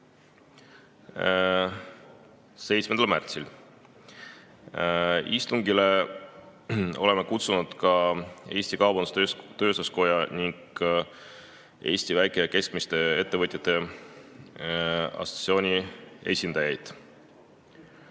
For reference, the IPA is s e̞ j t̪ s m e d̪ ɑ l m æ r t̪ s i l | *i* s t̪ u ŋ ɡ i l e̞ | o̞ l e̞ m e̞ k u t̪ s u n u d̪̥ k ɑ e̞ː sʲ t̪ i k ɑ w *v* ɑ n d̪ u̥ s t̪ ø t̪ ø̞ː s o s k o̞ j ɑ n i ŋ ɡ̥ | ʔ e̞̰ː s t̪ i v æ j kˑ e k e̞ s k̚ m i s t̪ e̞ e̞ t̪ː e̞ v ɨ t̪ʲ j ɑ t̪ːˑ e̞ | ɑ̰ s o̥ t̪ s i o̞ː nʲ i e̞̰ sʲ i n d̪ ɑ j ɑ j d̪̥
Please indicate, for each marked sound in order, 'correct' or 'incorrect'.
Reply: correct, incorrect: b

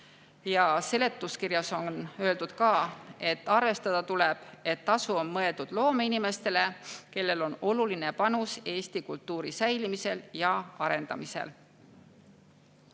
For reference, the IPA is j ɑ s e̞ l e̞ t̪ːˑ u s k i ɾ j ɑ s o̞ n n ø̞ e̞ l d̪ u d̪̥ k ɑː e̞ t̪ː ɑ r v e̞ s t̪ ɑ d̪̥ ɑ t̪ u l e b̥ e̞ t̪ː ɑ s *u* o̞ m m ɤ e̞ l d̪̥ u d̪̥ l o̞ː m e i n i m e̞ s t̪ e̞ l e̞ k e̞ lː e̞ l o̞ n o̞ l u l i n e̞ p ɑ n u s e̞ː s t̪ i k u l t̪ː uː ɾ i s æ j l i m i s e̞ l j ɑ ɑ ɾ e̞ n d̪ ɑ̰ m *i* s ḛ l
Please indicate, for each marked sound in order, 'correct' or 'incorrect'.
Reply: correct, correct

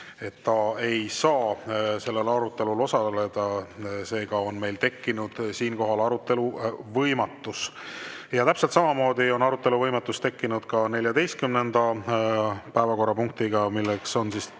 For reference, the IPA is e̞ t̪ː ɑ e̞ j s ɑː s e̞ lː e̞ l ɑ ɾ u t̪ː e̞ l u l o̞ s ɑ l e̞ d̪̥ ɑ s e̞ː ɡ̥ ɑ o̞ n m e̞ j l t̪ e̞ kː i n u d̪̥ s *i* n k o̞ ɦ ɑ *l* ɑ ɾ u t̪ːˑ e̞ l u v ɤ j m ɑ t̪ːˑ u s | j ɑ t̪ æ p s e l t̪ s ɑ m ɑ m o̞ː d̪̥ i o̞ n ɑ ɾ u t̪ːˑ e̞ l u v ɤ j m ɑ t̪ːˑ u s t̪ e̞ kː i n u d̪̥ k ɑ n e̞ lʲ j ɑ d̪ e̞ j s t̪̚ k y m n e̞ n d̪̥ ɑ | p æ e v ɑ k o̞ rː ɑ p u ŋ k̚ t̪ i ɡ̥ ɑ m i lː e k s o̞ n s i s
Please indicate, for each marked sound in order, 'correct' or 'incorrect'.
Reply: incorrect: iː, correct

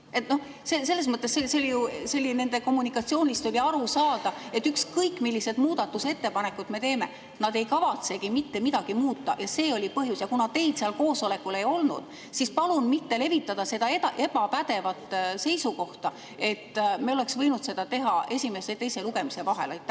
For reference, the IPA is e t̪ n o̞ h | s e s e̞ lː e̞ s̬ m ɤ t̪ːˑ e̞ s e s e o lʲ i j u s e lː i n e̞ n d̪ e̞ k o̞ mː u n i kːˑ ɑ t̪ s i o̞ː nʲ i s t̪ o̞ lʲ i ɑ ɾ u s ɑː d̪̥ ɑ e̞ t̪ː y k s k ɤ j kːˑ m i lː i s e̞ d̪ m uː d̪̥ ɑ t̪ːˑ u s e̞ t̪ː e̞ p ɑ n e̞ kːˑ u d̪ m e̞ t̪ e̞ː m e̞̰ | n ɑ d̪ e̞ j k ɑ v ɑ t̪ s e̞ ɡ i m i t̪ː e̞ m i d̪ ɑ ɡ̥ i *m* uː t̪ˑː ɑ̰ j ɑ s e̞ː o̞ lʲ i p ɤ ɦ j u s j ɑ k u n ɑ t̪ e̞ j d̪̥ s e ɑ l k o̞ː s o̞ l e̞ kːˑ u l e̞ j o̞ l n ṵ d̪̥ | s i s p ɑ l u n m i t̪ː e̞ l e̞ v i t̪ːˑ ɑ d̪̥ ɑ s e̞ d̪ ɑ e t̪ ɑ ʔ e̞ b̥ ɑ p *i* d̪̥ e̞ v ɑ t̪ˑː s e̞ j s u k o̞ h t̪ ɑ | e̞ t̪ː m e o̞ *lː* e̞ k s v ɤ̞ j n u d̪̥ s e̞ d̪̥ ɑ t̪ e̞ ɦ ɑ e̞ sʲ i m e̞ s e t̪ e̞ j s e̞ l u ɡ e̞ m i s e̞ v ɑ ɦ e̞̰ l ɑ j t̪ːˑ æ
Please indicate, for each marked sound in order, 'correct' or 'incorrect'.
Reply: correct, incorrect: æ, incorrect: l

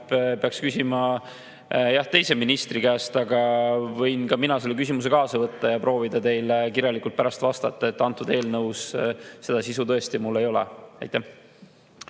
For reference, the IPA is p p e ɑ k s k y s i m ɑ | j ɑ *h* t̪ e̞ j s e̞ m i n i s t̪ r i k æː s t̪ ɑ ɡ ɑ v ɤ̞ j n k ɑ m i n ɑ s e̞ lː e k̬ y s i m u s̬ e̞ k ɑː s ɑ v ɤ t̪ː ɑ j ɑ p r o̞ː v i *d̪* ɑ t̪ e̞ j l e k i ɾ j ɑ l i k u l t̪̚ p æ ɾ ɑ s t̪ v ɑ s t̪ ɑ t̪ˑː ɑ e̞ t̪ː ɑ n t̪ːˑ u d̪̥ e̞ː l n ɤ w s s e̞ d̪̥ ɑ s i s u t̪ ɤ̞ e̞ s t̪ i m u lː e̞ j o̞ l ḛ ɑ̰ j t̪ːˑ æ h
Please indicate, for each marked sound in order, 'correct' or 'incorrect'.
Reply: correct, correct

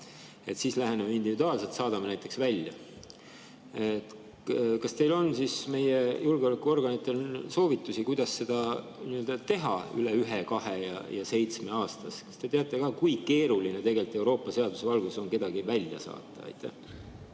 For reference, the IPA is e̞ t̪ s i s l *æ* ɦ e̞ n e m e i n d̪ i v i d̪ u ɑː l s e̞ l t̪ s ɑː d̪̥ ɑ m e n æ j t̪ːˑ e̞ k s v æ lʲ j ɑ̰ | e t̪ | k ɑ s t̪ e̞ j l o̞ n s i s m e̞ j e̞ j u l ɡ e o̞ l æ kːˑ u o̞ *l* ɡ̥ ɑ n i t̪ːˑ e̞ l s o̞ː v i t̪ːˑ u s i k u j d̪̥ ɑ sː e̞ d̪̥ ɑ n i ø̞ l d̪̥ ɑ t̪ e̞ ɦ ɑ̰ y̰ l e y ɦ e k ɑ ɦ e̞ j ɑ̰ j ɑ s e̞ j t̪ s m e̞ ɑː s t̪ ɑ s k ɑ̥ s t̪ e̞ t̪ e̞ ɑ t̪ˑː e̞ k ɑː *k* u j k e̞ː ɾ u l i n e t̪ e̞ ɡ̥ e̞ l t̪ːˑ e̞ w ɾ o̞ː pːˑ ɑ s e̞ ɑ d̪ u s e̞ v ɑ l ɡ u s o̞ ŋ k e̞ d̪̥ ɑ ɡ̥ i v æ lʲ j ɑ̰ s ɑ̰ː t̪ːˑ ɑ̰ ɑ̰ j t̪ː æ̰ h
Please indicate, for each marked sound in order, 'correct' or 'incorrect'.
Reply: correct, incorrect: r, correct

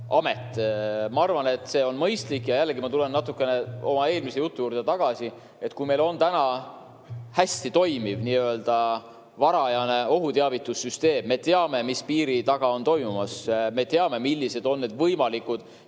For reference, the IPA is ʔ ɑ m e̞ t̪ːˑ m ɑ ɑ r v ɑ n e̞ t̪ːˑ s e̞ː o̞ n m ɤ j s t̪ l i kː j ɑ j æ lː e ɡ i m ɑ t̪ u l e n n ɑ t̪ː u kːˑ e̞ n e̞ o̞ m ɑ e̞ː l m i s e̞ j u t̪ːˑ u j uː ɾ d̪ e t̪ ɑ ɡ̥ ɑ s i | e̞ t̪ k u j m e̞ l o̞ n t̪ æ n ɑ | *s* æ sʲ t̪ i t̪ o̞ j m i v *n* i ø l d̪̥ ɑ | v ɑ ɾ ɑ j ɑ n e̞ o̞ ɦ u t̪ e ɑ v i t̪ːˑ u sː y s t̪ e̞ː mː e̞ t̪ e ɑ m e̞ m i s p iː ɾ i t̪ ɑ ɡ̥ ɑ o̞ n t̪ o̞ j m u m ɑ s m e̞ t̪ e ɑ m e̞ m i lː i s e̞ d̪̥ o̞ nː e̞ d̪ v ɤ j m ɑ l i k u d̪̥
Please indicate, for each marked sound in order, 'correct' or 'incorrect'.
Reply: incorrect: h, correct

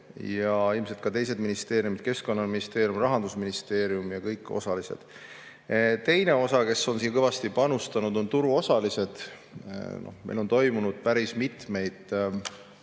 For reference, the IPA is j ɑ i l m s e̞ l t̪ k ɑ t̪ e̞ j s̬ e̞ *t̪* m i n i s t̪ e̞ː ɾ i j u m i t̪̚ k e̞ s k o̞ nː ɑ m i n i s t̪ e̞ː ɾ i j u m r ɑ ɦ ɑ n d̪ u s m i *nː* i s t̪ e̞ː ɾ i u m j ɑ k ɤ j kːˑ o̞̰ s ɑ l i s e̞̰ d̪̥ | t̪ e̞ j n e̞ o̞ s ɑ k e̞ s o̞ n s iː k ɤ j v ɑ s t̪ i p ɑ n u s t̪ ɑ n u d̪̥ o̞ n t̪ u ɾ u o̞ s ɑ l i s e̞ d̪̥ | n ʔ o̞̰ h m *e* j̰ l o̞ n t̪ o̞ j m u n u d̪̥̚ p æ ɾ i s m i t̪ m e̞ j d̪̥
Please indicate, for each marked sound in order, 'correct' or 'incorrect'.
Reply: incorrect: d̪, incorrect: n, correct

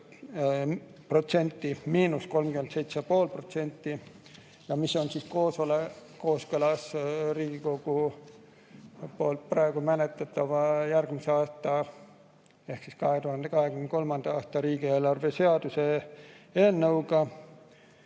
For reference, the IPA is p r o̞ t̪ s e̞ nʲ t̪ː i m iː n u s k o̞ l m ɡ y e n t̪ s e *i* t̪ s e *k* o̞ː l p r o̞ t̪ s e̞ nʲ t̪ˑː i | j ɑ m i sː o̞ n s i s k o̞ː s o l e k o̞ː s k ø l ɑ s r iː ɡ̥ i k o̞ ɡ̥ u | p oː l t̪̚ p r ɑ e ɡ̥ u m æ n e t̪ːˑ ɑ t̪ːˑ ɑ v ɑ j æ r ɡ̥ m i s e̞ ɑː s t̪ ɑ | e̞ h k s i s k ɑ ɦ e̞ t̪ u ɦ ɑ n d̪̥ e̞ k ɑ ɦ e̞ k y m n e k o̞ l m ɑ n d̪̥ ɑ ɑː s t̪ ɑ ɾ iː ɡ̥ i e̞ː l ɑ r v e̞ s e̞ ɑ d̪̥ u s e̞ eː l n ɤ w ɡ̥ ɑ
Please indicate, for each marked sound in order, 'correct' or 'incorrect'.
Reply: incorrect: j, incorrect: p

